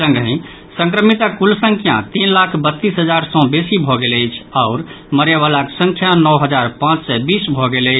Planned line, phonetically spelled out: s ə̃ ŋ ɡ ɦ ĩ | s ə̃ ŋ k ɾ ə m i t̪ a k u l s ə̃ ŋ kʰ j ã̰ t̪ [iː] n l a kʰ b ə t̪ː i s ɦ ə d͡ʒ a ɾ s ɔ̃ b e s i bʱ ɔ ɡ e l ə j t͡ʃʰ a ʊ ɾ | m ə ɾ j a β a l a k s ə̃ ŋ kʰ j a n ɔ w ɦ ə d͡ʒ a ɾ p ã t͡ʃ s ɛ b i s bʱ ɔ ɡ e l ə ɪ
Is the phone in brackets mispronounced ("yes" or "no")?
yes